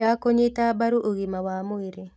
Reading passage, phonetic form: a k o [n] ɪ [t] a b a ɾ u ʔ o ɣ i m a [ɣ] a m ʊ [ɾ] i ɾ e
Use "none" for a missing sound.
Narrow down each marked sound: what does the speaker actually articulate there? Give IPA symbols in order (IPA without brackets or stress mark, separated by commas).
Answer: ɲ, t, w, none